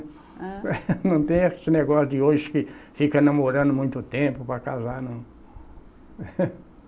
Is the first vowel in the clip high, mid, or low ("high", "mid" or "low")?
low